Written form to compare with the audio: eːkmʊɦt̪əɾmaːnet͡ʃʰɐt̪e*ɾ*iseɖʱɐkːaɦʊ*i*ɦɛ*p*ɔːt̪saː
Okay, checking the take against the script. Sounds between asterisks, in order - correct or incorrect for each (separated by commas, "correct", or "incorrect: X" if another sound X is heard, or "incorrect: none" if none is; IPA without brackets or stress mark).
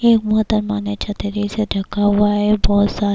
correct, incorrect: a, incorrect: b